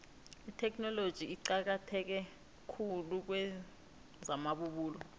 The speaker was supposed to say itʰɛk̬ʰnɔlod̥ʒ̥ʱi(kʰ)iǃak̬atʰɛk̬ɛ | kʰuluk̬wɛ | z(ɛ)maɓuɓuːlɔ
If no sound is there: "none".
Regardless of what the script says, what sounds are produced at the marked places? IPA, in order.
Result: none, a

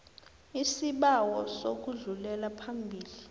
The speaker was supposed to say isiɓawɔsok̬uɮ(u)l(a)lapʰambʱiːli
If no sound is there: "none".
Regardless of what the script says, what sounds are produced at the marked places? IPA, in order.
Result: u, ɛ

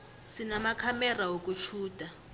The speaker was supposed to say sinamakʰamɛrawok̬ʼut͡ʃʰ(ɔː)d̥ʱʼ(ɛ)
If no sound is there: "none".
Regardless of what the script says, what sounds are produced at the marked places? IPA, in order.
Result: uː, a

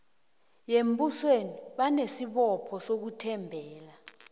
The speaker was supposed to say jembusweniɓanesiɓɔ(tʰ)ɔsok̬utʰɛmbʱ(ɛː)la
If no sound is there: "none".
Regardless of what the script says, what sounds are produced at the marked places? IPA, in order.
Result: pʰ, ɛː

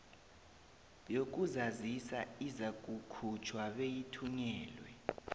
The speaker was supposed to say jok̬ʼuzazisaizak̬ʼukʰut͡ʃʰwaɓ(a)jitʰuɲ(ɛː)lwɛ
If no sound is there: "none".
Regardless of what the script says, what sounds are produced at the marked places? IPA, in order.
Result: e, ɛː

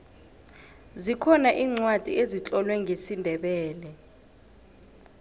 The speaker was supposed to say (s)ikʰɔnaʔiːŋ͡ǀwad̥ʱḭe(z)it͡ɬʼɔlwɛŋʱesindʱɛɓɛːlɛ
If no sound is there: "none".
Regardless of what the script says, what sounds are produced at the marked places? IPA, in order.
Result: z, z

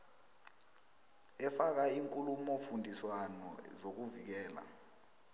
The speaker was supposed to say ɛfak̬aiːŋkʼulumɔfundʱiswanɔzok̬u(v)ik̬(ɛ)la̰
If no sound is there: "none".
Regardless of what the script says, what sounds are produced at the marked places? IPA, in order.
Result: v, ɛː

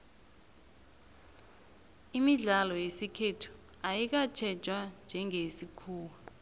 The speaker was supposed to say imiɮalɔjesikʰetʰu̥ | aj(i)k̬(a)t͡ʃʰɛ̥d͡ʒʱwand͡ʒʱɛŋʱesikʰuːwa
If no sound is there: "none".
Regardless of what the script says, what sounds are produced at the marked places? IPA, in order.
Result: i, a

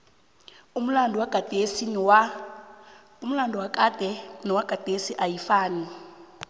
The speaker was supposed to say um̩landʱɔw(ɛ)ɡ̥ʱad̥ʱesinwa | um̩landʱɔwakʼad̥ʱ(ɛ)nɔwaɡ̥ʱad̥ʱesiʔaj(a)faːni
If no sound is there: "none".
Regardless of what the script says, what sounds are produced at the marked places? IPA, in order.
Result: a, ɛ, i

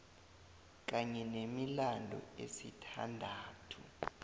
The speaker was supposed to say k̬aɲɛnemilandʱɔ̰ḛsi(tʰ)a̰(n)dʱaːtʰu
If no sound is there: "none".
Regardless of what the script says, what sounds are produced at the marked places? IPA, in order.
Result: tʰ, n

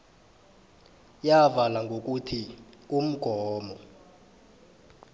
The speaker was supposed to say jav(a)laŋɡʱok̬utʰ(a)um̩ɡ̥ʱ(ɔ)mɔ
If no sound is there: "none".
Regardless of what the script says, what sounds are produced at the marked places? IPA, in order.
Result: a, i, ɔː

